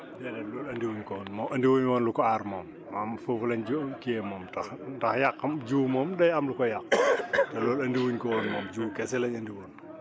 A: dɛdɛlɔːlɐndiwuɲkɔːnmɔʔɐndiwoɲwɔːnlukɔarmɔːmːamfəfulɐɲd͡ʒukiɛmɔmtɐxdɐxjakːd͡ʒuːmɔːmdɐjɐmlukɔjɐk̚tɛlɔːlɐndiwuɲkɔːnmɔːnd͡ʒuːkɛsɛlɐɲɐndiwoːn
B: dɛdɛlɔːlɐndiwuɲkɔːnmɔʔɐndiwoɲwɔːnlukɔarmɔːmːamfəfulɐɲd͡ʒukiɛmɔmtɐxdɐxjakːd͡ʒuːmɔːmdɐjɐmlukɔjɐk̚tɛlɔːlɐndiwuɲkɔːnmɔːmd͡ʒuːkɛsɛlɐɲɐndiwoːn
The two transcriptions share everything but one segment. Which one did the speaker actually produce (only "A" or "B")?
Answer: B